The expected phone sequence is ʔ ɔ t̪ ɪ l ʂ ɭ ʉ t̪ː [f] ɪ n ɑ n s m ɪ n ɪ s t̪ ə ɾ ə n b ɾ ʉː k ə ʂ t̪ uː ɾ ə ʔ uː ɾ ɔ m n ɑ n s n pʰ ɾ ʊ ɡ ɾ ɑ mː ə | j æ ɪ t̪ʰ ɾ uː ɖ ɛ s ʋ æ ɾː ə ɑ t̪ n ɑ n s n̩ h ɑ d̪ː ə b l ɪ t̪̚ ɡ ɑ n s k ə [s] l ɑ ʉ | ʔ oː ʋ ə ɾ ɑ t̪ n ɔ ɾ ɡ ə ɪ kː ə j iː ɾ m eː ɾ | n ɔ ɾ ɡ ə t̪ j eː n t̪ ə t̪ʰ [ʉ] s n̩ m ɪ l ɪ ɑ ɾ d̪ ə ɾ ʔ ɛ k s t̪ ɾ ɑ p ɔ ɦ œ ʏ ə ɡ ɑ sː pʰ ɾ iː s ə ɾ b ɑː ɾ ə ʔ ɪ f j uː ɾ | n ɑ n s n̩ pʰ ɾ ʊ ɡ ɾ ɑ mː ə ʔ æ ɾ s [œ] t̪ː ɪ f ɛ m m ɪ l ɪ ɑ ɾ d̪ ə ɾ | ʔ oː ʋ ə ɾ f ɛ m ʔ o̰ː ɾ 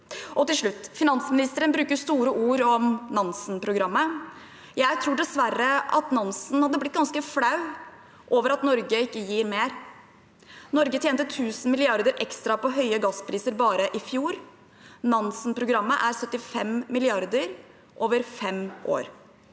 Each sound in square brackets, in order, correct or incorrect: correct, incorrect, incorrect, correct

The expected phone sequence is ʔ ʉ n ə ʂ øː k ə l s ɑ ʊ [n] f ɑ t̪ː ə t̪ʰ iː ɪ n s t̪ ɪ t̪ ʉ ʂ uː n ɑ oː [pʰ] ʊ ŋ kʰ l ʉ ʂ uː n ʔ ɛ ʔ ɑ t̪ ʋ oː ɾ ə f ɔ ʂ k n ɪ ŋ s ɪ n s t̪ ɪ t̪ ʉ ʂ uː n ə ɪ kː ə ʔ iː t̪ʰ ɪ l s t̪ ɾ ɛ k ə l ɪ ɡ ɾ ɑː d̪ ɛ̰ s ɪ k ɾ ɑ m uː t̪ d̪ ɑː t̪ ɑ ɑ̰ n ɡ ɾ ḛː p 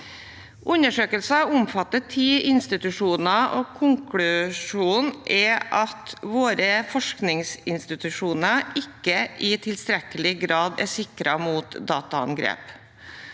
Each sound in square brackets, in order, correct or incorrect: incorrect, incorrect

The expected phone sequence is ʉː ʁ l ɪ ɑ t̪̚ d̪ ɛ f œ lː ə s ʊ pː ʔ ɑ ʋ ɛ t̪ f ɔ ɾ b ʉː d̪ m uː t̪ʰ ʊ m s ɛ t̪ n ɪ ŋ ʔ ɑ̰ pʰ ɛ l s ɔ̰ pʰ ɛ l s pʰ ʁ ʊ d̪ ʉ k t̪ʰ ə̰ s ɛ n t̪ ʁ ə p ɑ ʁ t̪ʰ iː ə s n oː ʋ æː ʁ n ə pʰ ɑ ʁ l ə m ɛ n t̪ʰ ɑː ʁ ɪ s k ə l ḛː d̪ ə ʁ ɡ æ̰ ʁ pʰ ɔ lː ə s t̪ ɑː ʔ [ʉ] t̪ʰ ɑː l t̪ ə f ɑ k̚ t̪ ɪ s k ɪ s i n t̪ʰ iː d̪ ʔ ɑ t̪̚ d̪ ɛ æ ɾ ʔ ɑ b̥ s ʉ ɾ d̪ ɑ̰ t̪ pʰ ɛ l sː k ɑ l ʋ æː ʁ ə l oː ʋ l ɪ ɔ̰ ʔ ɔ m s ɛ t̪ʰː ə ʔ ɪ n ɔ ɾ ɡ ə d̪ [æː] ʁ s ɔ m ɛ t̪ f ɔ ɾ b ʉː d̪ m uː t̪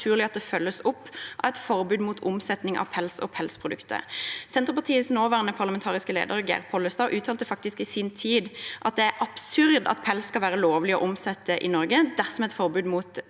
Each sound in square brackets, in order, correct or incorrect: incorrect, incorrect

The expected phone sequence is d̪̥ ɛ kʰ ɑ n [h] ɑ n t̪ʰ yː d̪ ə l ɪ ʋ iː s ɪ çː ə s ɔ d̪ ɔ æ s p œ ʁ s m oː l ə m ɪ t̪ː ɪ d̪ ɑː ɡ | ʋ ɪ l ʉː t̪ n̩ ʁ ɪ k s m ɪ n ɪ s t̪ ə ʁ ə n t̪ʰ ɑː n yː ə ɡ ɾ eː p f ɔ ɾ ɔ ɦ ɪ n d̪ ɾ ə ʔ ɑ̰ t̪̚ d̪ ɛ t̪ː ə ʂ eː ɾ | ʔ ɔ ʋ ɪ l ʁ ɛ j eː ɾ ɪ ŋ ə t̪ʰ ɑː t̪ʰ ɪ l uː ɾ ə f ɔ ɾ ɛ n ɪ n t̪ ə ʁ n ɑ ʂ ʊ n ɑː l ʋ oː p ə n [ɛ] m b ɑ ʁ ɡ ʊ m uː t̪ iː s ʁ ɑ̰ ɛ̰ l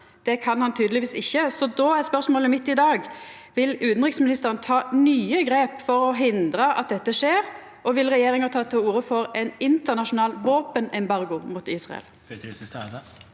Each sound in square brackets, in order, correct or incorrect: correct, correct

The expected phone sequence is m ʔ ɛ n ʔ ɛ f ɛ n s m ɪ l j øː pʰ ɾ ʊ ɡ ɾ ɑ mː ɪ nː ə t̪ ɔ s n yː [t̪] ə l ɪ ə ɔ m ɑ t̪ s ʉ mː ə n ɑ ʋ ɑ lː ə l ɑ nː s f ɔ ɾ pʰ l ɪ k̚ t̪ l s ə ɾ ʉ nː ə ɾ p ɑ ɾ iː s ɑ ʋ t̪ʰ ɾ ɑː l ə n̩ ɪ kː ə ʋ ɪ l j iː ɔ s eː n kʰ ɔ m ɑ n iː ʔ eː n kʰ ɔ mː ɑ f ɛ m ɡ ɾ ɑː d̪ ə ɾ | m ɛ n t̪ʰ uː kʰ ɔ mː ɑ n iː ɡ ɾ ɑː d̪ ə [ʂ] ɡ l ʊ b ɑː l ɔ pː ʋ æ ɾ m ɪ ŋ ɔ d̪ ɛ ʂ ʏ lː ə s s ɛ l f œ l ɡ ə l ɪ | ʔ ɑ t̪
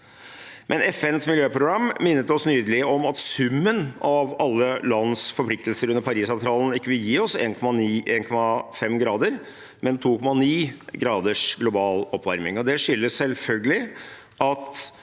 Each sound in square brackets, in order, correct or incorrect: incorrect, correct

